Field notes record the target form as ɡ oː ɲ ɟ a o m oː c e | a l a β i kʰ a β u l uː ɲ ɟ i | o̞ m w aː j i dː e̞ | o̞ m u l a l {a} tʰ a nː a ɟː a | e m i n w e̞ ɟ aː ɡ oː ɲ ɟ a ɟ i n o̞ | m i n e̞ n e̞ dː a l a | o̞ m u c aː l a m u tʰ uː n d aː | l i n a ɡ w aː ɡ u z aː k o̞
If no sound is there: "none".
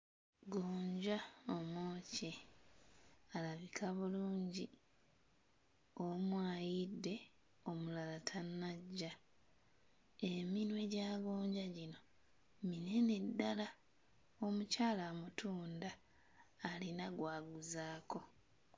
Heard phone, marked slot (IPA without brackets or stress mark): a